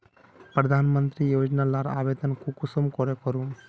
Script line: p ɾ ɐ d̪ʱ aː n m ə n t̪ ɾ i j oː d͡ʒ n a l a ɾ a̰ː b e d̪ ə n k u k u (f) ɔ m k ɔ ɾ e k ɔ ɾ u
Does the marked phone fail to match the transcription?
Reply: yes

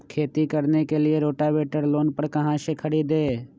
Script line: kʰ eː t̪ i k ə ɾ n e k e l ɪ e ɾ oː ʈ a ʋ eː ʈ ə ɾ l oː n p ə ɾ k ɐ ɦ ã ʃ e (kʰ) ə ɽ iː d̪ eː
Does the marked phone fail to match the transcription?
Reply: no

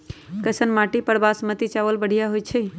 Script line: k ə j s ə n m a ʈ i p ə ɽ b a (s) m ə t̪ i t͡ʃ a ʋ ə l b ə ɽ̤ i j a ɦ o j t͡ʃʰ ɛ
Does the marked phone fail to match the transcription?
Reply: no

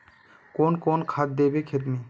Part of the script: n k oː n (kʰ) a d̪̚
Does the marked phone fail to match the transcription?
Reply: no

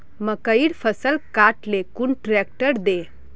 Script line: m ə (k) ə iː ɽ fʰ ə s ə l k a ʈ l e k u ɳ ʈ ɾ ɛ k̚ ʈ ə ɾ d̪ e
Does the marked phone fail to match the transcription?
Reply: no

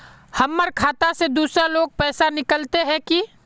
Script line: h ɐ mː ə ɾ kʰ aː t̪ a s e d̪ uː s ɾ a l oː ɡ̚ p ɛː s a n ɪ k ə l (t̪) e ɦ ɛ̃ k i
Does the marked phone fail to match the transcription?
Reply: no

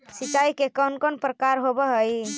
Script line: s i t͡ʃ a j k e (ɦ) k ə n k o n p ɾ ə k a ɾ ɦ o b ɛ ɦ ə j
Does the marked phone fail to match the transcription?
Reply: yes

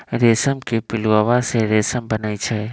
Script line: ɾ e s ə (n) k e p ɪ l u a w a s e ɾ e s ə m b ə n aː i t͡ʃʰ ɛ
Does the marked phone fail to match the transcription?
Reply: yes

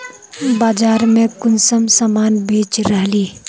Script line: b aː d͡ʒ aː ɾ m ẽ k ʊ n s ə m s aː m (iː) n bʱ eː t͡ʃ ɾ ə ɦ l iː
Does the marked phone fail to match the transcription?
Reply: yes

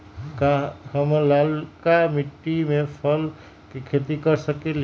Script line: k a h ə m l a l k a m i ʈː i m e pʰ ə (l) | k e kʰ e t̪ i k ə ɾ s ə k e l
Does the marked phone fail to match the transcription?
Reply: no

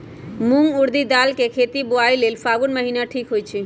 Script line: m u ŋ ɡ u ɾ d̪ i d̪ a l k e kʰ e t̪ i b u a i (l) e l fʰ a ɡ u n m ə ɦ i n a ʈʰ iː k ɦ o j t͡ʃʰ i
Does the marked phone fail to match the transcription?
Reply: no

